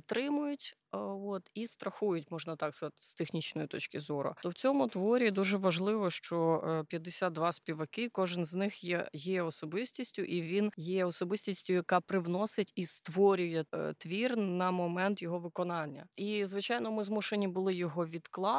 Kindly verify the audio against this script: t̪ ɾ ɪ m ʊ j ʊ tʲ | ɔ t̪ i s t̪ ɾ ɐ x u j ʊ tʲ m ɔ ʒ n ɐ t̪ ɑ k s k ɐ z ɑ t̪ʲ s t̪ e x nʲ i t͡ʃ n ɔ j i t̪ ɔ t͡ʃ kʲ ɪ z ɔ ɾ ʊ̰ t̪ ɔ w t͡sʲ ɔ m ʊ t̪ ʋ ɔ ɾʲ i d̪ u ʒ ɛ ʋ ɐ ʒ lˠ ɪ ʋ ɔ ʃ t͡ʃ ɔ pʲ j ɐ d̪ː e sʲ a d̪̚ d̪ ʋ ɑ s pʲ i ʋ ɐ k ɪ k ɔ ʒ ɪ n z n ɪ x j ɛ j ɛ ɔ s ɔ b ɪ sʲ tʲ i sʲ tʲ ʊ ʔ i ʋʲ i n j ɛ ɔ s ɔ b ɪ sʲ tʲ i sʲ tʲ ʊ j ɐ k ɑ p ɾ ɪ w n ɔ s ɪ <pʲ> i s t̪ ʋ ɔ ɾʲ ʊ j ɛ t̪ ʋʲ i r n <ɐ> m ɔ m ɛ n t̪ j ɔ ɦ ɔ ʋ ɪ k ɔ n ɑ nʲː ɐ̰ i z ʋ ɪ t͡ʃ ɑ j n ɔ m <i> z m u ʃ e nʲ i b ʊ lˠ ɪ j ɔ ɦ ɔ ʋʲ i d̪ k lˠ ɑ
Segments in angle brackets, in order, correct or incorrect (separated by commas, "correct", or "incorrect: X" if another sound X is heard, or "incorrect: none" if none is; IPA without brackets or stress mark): incorrect: tʲ, correct, incorrect: ɪ